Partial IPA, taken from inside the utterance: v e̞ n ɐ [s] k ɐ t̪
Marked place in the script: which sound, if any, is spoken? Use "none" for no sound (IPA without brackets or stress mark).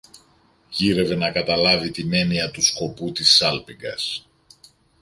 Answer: none